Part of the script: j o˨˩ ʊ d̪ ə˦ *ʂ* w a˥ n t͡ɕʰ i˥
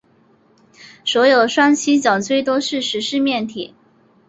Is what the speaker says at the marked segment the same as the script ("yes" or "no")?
yes